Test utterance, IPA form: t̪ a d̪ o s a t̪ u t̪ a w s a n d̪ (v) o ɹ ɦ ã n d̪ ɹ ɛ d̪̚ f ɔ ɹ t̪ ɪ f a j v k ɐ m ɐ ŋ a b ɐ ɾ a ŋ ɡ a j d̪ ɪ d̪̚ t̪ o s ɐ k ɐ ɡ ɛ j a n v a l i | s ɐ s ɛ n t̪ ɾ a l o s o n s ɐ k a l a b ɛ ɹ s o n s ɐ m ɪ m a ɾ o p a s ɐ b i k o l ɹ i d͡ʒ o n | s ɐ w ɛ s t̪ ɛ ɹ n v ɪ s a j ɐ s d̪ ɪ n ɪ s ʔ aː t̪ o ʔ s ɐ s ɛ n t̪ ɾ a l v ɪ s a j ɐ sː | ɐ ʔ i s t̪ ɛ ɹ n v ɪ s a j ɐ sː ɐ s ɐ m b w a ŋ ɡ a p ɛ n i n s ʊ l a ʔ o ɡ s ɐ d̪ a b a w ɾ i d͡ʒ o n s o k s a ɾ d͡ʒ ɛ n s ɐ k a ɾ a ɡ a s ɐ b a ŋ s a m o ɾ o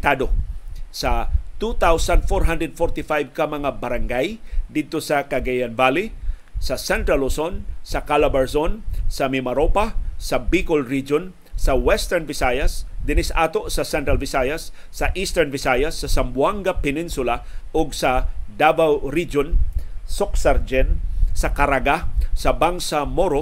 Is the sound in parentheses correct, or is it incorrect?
incorrect